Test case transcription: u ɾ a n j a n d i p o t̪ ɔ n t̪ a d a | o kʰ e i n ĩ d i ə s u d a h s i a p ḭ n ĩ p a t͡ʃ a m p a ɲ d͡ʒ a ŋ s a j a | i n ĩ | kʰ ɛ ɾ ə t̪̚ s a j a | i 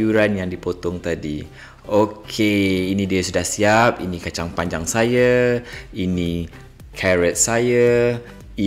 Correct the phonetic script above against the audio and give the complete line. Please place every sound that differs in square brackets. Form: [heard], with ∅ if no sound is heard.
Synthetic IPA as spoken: u ɾ a n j a [ŋ] d i p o t̪ ɔ [ŋ] t̪ a d [i] | o kʰ e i n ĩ d i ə s u d a h s i a p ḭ n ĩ [k] a t͡ʃ a [ŋ] p a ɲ d͡ʒ a ŋ s a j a | i n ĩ | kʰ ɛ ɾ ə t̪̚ s a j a | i